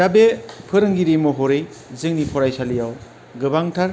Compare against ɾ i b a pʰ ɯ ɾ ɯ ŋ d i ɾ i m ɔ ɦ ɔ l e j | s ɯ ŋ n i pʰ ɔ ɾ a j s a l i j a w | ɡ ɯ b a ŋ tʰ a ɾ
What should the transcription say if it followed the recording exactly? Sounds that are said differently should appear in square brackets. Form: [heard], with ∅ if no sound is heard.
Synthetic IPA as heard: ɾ [a] b [e] pʰ ɯ ɾ ɯ ŋ [ɡ] i ɾ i m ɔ ɦ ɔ [ɾ] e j | [z] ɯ ŋ n i pʰ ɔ ɾ a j s a l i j a w | ɡ ɯ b a ŋ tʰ a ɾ